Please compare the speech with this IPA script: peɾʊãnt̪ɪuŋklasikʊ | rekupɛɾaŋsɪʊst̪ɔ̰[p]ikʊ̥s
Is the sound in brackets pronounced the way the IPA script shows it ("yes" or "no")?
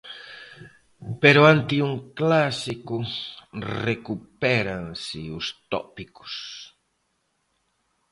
yes